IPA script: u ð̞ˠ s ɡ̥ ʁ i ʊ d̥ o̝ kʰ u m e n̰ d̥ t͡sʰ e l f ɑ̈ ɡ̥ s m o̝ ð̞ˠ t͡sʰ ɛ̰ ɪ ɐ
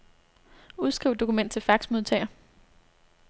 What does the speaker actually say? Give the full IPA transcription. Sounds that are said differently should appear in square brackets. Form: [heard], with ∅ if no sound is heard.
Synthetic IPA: u ð̞ˠ s ɡ̥ ʁ i ʊ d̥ o̝ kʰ u m e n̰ d̥ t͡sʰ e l f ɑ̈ ɡ̥ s m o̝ ð̞ˠ t͡sʰ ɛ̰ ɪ ɐ